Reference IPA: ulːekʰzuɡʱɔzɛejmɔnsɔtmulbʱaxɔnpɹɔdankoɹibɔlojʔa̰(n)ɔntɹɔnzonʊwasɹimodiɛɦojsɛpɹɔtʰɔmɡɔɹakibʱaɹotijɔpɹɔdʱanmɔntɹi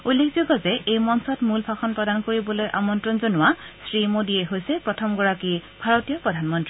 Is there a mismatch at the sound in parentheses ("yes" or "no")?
yes